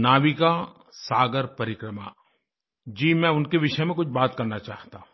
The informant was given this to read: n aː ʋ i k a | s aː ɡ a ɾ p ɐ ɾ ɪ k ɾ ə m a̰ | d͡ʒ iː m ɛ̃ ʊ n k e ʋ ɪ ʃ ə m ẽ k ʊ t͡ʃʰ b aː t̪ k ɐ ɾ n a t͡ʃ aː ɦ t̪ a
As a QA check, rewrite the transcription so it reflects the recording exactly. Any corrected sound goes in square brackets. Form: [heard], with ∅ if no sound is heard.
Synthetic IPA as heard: n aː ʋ i k a | s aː ɡ [ə] ɾ p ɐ ɾ ɪ k ɾ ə m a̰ | d͡ʒ iː m ɛ̃ ʊ n k e ʋ ɪ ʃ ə m ẽ k ʊ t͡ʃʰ b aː t̪ k ɐ ɾ n a t͡ʃ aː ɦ t̪ a